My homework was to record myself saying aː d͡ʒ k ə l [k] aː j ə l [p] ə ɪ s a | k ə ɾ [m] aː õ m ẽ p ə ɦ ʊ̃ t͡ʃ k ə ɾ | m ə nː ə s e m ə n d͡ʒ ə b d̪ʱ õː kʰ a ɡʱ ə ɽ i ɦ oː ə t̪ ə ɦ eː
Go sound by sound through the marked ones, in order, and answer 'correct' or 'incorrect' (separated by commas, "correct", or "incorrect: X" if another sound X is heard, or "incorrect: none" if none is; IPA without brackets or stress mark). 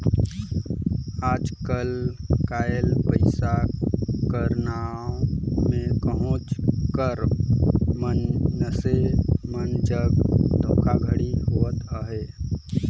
correct, correct, incorrect: n